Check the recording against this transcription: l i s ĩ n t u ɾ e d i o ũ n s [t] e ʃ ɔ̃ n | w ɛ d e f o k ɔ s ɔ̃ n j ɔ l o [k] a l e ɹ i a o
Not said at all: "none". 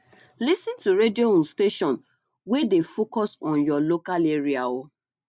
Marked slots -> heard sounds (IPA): t, k

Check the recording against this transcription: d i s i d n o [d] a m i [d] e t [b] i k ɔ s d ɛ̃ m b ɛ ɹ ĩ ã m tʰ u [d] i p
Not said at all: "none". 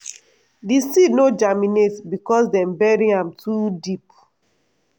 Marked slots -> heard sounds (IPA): d͡ʒ, n, b, d

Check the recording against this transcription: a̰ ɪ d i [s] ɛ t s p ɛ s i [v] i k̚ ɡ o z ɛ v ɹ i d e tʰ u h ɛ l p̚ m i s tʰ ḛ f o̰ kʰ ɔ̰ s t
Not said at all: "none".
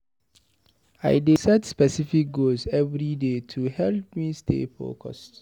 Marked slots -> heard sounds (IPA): s, f

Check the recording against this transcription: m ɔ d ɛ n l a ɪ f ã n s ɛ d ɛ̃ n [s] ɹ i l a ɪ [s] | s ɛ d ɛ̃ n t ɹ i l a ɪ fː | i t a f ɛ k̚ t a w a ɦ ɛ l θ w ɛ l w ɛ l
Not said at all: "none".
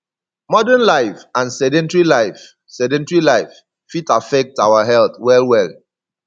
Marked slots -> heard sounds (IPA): t, f

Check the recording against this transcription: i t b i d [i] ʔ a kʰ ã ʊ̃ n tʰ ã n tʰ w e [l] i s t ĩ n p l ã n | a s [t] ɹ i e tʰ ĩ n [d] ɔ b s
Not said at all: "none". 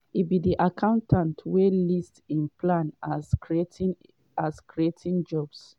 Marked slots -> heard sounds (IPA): i, l, k, d͡ʒ

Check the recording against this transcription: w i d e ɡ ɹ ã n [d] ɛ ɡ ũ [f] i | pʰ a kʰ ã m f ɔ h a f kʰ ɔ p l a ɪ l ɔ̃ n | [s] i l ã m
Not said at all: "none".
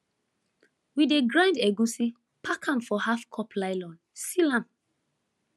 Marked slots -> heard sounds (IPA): d, s, s

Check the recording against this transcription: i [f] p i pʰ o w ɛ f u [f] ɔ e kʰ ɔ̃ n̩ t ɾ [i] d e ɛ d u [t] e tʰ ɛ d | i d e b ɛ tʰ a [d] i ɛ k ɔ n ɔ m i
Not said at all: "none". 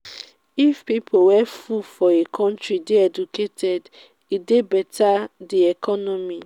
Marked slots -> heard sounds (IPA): f, f, i, k, d

